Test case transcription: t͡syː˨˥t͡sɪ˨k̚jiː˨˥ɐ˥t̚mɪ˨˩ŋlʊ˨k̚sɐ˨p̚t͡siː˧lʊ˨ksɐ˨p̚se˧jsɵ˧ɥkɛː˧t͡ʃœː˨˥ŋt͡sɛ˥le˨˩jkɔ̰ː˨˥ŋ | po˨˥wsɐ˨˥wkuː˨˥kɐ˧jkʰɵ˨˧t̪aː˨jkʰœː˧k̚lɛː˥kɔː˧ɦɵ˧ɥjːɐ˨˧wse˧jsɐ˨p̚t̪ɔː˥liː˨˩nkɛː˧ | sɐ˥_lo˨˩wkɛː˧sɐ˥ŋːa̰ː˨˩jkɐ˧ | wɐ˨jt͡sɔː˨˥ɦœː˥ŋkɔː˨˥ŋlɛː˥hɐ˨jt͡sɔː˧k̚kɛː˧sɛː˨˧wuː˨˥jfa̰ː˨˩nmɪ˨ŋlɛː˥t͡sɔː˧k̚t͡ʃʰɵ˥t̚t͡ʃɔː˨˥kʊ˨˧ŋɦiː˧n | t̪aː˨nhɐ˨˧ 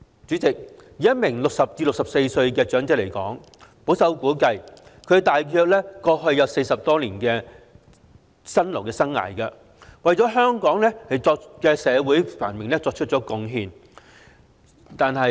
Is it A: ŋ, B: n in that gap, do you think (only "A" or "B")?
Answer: B